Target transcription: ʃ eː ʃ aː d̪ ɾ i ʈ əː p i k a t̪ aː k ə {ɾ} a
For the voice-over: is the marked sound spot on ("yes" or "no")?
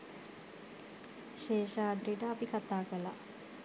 no